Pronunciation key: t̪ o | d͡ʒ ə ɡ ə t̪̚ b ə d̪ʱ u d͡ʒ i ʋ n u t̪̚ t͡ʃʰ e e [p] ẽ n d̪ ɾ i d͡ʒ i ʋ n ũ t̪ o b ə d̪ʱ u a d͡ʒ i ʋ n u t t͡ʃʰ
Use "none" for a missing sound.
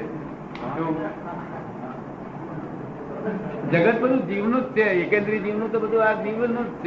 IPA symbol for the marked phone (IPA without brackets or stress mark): k